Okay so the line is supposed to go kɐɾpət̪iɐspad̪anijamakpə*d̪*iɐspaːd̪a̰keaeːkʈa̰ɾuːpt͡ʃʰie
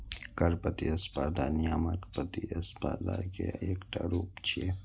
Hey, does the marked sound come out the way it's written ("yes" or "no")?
no